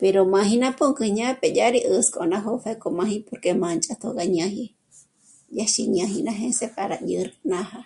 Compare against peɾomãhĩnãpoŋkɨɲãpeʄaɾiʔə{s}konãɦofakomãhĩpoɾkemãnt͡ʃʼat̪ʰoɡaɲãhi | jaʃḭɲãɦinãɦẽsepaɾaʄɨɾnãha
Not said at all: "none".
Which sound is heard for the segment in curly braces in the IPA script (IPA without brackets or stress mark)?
s